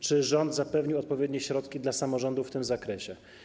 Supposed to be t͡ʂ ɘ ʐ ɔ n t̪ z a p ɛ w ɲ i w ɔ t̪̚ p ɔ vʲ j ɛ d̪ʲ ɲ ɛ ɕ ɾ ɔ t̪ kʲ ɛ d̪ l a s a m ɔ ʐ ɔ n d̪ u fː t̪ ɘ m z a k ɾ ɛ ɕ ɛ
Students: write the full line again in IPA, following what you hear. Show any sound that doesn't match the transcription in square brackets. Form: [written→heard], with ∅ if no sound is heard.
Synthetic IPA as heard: t͡ʂ ɘ ʐ ɔ n [t̪→d̪] z a p ɛ [w→v] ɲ i w ɔ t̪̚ p ɔ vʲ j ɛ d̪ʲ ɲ ɛ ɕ ɾ ɔ t̪ kʲ [ɛ→i] d̪ l a s a m ɔ ʐ ɔ n d̪ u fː t̪ ɘ m z a k ɾ ɛ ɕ ɛ